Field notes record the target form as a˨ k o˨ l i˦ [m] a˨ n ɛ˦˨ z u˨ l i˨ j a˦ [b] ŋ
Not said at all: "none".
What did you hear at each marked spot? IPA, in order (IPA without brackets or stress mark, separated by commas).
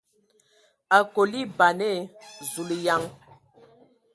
b, none